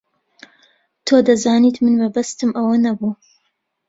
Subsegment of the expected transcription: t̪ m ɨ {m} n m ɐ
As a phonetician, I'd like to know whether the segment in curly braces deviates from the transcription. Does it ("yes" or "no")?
yes